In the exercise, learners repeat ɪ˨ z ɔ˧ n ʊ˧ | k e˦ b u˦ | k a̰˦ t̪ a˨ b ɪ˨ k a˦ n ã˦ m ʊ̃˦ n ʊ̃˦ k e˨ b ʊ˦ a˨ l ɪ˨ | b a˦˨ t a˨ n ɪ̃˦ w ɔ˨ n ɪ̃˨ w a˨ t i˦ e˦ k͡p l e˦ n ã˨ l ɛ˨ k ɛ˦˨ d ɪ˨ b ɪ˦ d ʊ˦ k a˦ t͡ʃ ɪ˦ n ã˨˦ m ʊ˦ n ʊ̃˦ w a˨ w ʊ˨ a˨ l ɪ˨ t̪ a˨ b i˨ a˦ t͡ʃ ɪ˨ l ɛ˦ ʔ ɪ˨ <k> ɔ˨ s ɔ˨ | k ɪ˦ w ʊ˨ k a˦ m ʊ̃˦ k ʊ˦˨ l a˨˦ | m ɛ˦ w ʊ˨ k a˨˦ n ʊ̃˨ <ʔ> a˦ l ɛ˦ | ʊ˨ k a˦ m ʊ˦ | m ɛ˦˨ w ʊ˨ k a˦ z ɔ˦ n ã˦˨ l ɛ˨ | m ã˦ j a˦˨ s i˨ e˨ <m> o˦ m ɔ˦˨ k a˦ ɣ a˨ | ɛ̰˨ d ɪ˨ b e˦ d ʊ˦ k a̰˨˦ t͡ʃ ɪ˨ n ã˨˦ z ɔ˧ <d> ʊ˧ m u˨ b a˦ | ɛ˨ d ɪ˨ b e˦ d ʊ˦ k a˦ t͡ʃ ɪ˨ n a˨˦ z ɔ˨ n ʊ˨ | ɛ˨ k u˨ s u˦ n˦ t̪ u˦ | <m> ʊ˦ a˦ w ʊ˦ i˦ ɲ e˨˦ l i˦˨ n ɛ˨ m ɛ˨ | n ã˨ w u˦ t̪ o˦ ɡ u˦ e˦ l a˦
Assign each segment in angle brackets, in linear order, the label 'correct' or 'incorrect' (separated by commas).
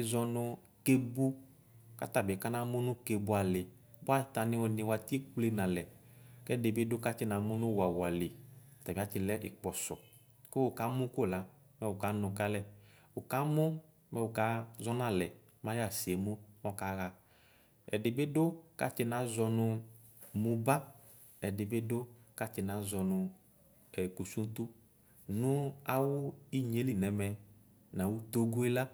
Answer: incorrect, incorrect, correct, incorrect, incorrect